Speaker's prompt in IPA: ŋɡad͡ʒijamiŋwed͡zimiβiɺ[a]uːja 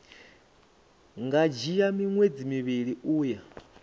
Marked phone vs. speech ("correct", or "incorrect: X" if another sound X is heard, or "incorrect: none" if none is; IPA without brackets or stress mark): incorrect: i